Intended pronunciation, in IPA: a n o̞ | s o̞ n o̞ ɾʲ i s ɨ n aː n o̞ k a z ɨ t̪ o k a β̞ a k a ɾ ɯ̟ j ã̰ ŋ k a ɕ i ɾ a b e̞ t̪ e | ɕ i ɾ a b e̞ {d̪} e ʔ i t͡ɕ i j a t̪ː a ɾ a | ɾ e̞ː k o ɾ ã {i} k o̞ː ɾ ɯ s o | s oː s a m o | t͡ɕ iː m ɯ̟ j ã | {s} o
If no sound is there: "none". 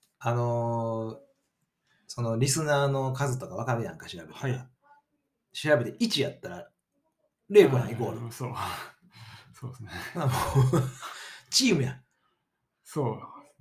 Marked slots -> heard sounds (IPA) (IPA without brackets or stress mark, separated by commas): t̪, i, s